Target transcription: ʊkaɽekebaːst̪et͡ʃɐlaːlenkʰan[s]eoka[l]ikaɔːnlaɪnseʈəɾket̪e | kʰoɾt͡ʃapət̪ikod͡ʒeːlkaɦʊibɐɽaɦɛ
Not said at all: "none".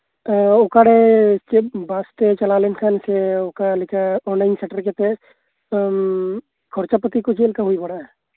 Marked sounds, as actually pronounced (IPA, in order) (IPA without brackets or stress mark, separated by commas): s, l